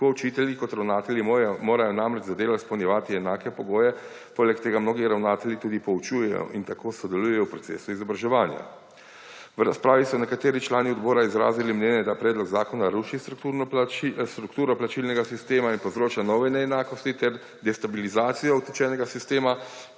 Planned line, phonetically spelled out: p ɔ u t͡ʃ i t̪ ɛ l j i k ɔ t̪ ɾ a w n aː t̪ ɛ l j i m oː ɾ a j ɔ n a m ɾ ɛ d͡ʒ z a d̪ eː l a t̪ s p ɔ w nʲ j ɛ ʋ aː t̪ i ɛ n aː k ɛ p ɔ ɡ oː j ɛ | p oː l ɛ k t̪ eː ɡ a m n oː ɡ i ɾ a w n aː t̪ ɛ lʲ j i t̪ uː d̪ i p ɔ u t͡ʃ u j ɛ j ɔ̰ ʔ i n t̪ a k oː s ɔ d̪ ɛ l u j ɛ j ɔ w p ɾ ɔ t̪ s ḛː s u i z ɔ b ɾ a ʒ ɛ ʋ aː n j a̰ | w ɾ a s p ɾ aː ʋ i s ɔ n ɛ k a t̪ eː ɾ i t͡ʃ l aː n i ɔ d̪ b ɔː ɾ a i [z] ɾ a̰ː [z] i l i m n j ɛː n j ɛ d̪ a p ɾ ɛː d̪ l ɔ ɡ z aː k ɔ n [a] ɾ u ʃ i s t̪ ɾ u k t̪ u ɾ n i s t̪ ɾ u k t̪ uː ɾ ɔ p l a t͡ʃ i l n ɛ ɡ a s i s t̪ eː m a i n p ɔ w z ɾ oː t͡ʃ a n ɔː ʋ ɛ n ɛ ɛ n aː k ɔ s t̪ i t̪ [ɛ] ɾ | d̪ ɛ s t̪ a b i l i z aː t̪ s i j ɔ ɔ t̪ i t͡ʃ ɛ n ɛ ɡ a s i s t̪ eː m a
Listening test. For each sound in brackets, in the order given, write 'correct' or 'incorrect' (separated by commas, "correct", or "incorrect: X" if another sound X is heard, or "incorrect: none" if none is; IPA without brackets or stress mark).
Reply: correct, correct, correct, correct